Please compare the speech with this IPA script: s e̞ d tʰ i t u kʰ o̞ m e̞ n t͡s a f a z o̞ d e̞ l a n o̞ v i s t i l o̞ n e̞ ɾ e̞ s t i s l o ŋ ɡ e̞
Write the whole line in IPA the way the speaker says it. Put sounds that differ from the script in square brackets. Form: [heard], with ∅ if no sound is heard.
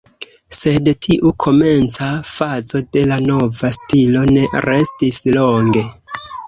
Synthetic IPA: s e̞ d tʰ i [ʔ] u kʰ o̞ m e̞ n t͡s a f a z o̞ d e̞ l a n o̞ v [a] s t i l o̞ n e̞ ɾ e̞ s t i s l o ŋ ɡ e̞